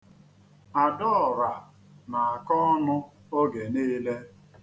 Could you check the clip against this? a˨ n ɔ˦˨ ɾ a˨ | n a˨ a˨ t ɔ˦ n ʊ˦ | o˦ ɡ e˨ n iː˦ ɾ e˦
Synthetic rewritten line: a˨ d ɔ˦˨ ɾ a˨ | n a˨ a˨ k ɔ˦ n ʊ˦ | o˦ ɡ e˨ n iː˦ l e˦